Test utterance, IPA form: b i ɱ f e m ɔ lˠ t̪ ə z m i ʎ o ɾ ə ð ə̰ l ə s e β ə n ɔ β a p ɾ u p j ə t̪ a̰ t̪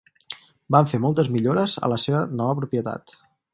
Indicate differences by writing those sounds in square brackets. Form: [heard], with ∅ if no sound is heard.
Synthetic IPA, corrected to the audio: b [a] ɱ f e m ɔ lˠ t̪ ə z m i ʎ o ɾ ə [z] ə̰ l ə s e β ə n ɔ β [ə] p ɾ u p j ə t̪ a̰ t̪